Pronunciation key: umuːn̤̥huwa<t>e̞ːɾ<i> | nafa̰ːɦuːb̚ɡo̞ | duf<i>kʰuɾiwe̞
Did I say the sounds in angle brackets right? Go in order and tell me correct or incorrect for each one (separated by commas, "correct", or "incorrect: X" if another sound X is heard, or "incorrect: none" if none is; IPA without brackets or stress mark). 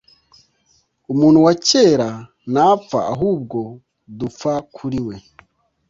incorrect: c, incorrect: a, incorrect: a